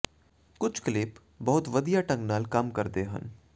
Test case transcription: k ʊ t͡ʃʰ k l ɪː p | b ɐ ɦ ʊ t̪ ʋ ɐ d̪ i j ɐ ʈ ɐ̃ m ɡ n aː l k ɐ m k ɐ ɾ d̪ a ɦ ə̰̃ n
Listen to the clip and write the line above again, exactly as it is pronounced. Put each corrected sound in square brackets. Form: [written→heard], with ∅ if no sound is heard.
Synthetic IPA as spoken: k ʊ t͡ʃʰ k l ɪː p | b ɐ ɦ ʊ t̪ ʋ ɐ d̪ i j [ɐ→a] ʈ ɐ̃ [m→ŋ] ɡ n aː l k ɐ m k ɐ ɾ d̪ [a→e] ɦ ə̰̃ n